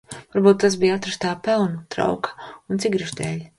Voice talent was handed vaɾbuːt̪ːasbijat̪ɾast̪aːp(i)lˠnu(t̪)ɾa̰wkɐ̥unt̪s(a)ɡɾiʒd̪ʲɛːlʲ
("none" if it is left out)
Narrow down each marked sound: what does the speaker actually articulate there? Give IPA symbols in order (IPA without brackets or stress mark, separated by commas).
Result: ɛ, t̪, i